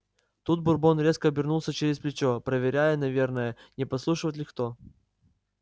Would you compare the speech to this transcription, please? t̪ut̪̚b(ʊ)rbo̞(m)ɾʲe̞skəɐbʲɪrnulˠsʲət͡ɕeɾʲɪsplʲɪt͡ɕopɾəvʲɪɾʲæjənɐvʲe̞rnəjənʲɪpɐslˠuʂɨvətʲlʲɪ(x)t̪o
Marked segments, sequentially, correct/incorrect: correct, incorrect: n, correct

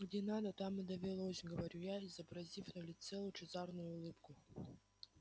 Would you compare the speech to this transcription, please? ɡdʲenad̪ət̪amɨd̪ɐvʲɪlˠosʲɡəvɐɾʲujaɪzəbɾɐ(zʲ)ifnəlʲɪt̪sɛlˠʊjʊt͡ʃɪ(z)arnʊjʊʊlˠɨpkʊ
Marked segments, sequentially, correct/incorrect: correct, correct

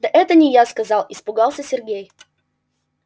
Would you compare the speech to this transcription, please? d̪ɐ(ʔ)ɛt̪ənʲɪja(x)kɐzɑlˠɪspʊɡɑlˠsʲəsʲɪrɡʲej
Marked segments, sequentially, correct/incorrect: correct, incorrect: s

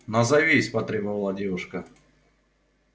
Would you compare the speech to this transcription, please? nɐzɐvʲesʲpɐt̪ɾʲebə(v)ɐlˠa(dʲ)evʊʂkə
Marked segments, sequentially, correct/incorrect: correct, correct

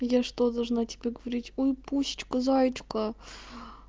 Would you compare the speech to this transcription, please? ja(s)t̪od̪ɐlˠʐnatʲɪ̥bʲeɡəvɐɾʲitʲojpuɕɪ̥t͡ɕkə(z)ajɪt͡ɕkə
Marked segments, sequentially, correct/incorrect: incorrect: ʂ, correct

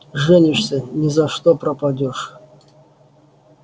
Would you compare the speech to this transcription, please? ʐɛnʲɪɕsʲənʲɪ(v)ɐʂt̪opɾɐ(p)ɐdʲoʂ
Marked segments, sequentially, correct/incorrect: incorrect: z, correct

